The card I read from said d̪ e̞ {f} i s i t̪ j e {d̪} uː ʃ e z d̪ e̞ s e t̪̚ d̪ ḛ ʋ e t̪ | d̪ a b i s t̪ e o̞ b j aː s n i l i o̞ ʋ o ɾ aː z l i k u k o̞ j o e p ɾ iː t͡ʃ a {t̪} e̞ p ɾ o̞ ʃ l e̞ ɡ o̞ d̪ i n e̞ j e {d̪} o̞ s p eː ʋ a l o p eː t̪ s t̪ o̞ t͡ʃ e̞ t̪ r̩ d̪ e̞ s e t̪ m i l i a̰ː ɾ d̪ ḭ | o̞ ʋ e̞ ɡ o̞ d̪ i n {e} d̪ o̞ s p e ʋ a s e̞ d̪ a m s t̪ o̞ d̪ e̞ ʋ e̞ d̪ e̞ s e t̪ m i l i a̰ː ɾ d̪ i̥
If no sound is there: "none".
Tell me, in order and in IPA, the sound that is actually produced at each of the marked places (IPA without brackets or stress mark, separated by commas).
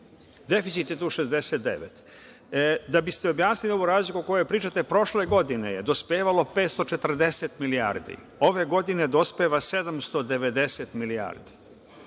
f, t̪, t̪, d̪, e